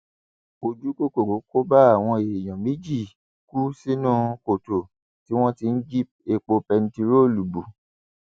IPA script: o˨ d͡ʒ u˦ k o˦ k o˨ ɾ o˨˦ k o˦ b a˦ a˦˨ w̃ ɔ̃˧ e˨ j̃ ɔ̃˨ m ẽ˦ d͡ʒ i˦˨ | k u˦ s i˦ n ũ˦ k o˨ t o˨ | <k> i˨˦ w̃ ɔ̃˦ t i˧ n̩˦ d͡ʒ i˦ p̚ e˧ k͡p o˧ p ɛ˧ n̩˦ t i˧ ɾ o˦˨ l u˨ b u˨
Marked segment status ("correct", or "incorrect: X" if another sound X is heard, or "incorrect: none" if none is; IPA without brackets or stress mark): incorrect: t